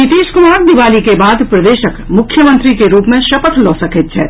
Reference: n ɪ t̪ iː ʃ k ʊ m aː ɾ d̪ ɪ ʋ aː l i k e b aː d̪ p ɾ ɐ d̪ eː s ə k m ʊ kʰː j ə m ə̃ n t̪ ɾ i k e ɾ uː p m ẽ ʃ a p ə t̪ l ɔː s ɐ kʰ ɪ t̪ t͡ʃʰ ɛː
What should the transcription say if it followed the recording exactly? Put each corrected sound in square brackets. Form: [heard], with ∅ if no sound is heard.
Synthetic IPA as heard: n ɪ t̪ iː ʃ k ʊ m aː ɾ d̪ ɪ ʋ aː l i k e b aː d̪ p ɾ ɐ d̪ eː [ʃ] ə k m ʊ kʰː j ə m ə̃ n t̪ ɾ i k e ɾ uː p m ẽ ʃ [ɐ] p ə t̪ l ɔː s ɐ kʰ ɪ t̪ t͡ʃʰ ɛː